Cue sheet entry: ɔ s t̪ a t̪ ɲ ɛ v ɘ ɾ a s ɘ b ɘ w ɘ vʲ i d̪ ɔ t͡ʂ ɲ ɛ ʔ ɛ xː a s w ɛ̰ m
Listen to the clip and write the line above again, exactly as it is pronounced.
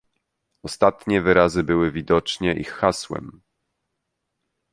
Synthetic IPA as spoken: ɔ s t̪ a t̪ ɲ ɛ v ɘ ɾ a z ɘ b ɘ w ɘ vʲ i d̪ ɔ t͡ʂ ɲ ɛ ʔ i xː a s w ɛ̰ m

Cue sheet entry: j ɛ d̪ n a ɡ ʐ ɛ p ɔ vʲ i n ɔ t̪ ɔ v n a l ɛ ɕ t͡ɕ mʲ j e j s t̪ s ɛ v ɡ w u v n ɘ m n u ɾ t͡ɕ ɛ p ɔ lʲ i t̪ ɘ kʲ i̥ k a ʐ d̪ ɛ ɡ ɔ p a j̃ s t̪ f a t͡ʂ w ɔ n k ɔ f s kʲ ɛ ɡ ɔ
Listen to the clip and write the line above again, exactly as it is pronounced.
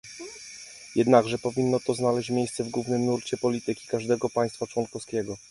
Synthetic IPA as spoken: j ɛ d̪ n a ɡ ʐ ɛ p ɔ vʲ i nː ɔ t̪ ɔ z n a l ɛ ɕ t͡ɕ mʲ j e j s t̪ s ɛ v ɡ w u v n ɘ m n u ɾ t͡ɕ ɛ p ɔ lʲ i t̪ ɘ kʲ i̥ k a ʐ d̪ ɛ ɡ ɔ p a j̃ s t̪ f a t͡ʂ w ɔ n k ɔ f s kʲ ɛ ɡ ɔ

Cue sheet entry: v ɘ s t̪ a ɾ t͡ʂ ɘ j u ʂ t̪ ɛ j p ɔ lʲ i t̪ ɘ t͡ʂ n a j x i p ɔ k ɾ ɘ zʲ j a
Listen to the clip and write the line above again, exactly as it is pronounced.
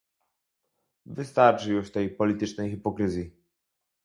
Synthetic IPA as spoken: v ɘ s t̪ a ɾ t͡ʂ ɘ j u ʂ t̪ ɛ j p ɔ lʲ i t̪ ɘ t͡ʂ n ɛ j x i p ɔ k ɾ ɘ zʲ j i

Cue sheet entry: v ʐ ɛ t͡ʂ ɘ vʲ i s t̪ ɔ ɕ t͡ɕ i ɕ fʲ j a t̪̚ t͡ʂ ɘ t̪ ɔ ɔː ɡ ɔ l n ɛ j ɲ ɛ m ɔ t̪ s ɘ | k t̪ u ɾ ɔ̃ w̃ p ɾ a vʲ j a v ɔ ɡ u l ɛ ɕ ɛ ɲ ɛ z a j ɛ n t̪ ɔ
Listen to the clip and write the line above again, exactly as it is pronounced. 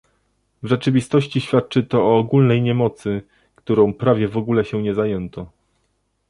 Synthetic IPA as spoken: v ʐ ɛ t͡ʂ ɘ vʲ i s t̪ ɔ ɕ t͡ɕ i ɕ fʲ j a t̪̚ t͡ʂ ɘ t̪ ɔ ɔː ɡ u l n ɛ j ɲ ɛ m ɔ t̪ s ɘ | k t̪ u ɾ ɔ̃ w̃ p ɾ a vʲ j ɛ v ɔ ɡ u l ɛ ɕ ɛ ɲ ɛ z a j ɛ n t̪ ɔ

